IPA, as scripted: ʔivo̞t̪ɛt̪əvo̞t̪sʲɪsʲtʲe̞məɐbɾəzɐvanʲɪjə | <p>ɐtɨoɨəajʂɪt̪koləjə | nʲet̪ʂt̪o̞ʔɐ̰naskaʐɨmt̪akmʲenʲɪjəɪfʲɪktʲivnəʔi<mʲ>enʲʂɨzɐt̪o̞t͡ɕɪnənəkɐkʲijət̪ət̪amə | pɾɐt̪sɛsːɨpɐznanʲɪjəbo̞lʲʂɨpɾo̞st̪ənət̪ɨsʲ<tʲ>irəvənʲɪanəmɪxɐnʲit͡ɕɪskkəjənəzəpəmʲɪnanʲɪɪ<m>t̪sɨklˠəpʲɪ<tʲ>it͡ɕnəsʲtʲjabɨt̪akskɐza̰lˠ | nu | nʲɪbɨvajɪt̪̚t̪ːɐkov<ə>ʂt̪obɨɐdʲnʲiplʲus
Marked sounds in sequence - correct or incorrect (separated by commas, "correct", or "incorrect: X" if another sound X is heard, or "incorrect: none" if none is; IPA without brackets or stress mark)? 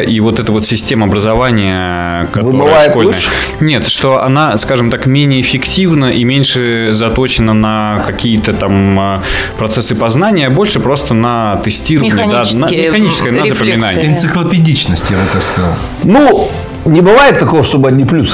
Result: incorrect: k, correct, correct, incorrect: n, incorrect: dʲ, correct